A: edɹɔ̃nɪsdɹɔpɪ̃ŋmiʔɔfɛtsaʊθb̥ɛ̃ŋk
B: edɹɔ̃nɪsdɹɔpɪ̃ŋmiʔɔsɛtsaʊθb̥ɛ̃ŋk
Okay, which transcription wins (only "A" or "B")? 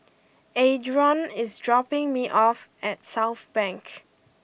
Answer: A